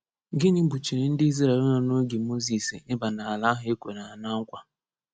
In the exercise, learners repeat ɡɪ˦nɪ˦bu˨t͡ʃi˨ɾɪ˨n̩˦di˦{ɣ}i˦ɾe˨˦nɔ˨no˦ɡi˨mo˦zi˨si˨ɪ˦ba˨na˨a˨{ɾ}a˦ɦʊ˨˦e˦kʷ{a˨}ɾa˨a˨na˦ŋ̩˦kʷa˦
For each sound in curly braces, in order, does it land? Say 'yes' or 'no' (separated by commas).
no, no, no